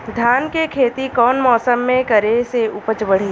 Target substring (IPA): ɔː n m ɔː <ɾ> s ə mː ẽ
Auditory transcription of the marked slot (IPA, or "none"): none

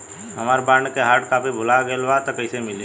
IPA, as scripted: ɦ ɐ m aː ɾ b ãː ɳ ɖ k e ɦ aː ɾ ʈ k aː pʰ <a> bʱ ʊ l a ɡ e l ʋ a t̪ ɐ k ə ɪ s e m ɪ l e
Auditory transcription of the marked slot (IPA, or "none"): i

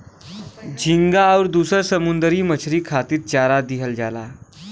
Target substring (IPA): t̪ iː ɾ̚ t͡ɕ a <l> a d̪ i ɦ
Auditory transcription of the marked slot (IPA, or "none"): ɾ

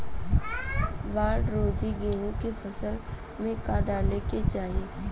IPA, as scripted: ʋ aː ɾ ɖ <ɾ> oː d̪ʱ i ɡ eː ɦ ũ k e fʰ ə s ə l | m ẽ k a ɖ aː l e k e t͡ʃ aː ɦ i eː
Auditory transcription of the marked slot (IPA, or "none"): ɾ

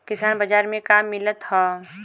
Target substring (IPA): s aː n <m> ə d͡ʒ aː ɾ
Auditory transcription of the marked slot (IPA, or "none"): b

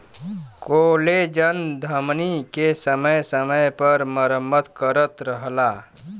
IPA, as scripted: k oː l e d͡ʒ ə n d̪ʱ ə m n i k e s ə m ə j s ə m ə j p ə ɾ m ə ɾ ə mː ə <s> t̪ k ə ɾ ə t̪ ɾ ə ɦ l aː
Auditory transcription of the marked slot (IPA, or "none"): none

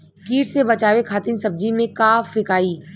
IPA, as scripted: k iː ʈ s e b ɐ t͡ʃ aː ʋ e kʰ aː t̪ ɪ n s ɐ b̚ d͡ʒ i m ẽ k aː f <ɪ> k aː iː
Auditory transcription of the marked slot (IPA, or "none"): ɪ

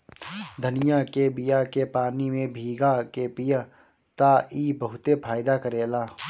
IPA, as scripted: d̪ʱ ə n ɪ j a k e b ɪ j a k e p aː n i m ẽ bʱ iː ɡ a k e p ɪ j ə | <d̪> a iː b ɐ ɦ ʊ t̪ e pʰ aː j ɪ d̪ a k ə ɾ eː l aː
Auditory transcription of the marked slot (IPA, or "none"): t̪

